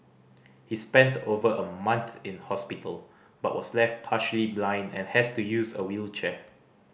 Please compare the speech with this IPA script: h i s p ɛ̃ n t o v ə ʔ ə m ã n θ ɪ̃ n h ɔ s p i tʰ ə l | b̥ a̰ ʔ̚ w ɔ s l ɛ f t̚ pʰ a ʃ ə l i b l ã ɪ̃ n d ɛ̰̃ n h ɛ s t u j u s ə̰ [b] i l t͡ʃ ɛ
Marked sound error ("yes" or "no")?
yes